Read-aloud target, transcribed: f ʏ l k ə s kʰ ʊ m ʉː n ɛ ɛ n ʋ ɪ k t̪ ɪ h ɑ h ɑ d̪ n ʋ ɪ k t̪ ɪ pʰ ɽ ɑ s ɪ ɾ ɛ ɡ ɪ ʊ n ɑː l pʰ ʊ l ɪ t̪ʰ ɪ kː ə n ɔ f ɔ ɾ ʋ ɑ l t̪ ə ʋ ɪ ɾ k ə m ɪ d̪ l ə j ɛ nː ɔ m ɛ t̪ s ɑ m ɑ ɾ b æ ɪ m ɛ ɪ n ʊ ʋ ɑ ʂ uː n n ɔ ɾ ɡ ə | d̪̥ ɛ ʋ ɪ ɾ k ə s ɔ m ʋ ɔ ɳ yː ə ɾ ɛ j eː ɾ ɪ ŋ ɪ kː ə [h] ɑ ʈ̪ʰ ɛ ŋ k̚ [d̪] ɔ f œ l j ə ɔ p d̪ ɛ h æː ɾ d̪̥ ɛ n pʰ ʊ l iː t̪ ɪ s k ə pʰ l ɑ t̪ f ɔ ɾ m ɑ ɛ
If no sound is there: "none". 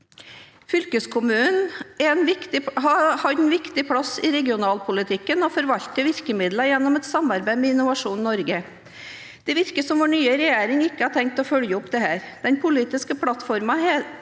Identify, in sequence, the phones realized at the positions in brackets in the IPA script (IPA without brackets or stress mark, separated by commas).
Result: h, t̪